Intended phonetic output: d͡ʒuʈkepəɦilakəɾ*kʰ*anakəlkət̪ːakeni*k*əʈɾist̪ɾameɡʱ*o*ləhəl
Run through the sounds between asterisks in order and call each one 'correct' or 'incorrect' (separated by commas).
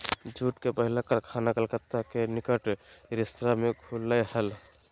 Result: correct, correct, incorrect